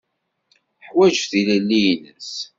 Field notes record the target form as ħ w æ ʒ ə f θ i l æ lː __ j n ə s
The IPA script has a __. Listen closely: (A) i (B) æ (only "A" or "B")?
A